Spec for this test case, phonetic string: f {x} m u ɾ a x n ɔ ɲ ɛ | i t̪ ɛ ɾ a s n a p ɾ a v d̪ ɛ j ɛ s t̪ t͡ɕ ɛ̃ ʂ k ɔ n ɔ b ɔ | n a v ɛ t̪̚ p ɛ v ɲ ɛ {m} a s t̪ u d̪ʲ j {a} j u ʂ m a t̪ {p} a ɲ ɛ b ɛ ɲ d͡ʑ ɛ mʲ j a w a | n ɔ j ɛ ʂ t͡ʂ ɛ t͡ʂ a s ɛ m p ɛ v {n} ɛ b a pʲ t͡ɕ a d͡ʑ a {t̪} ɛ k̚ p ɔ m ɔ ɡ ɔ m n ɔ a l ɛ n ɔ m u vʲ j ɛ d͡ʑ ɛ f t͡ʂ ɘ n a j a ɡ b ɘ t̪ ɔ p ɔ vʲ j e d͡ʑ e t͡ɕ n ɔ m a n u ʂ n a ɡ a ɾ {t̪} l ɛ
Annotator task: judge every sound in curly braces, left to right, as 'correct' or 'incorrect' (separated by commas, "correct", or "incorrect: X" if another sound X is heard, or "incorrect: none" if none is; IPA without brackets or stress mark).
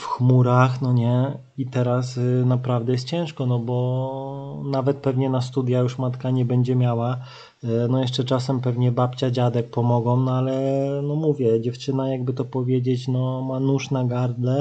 correct, incorrect: n, correct, incorrect: k, incorrect: ɲ, incorrect: d̪, incorrect: d̪